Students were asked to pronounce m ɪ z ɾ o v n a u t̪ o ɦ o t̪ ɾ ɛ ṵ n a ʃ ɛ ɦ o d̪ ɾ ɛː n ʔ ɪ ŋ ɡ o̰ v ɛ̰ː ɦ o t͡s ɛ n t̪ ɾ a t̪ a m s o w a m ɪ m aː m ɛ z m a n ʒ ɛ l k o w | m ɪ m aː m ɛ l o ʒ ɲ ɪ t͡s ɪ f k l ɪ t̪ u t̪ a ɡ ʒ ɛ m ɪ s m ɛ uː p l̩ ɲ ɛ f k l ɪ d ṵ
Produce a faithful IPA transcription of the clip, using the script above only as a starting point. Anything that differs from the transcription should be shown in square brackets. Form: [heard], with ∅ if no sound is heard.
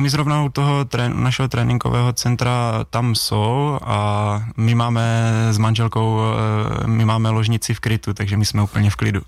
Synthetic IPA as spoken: m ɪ z ɾ o v n a u t̪ o ɦ o t̪ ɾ ɛ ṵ n a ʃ ɛ ɦ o [t̪] ɾ ɛː n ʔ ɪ ŋ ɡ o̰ v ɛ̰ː ɦ o t͡s ɛ n t̪ ɾ a t̪ a m s o w a m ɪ m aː m ɛ z m a n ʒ ɛ l k o w | m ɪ m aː m ɛ l o ʒ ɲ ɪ t͡s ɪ f k [ɾ] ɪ t̪ u t̪ a ɡ ʒ ɛ m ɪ s m ɛ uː p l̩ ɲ ɛ f k l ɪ d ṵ